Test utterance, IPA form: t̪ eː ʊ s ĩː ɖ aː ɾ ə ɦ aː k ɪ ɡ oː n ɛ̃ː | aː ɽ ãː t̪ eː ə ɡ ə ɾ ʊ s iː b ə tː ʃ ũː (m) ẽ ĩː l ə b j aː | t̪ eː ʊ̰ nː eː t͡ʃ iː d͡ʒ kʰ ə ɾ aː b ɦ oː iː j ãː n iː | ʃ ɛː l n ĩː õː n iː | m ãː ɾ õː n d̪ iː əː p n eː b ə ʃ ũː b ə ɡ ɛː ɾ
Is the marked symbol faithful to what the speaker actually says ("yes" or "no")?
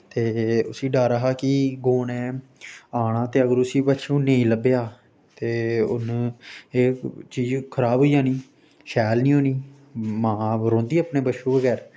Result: no